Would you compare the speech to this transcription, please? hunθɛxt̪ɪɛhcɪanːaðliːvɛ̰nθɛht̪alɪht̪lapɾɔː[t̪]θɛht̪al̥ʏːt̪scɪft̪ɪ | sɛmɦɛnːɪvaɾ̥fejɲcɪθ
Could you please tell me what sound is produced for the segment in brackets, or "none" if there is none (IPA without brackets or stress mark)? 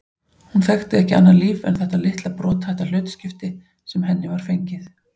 t̪